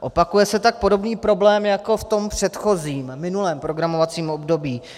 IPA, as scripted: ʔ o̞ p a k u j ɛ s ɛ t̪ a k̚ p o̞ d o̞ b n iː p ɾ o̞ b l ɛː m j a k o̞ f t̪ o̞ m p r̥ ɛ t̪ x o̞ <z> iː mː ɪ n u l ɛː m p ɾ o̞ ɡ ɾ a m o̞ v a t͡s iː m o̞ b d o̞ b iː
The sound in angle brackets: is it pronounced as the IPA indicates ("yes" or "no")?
yes